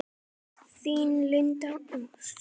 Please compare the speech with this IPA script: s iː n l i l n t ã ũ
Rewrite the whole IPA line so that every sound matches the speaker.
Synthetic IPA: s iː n l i n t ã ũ